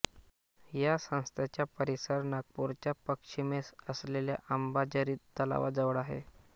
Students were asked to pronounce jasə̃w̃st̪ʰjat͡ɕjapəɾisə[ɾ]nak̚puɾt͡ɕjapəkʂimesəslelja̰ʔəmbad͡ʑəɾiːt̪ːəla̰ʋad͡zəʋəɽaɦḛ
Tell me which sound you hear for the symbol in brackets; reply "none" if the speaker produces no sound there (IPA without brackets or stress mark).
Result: ɾ